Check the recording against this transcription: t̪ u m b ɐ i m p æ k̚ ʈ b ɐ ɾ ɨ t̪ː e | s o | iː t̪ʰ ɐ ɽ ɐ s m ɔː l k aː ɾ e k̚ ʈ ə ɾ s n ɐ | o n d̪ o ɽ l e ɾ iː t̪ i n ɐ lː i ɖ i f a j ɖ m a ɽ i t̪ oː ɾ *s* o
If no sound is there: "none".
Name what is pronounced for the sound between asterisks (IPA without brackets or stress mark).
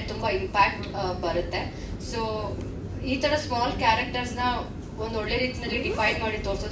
s